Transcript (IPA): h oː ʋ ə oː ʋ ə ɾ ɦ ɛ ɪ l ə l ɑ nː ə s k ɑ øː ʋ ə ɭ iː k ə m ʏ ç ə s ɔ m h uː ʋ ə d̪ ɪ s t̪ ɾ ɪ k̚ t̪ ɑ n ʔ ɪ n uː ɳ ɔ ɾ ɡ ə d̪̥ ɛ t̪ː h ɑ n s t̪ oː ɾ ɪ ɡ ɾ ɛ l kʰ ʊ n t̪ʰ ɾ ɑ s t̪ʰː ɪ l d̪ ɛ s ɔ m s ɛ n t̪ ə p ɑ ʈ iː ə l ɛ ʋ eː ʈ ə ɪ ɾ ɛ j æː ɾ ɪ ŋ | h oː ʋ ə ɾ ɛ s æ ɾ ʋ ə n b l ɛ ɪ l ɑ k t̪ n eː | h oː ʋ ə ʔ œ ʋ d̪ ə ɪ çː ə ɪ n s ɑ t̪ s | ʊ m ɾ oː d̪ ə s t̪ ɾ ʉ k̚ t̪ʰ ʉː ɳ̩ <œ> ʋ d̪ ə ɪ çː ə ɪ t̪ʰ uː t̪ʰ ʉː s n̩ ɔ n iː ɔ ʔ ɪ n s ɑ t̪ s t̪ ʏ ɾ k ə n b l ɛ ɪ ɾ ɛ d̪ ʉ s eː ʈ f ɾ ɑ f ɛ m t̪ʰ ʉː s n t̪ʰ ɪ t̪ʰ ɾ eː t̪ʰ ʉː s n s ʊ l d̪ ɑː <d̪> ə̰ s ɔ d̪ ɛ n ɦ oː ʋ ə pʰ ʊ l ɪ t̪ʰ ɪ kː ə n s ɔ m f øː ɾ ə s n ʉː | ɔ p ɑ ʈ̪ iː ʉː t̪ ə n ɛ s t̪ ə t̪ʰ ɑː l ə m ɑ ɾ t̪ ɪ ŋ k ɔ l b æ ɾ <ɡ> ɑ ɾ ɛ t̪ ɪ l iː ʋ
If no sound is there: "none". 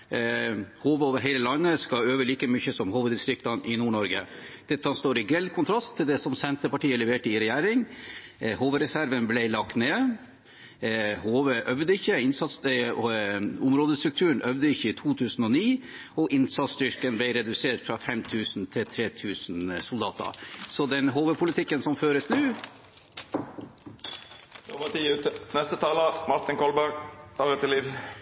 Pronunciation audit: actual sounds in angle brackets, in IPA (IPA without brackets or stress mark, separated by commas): œ, t̪, ɡ